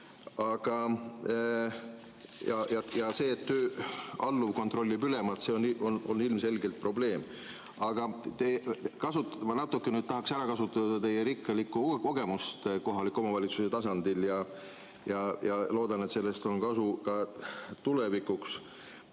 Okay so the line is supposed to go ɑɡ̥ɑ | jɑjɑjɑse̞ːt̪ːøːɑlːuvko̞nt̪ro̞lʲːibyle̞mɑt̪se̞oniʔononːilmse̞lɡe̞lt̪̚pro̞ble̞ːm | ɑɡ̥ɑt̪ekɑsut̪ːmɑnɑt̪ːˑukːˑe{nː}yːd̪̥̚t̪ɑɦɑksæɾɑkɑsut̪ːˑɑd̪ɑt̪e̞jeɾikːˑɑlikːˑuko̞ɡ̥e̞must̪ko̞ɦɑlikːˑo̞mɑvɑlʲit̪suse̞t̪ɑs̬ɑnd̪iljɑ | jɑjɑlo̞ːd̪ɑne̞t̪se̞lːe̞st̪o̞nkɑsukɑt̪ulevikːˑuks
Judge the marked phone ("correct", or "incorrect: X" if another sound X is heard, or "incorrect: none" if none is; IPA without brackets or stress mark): incorrect: n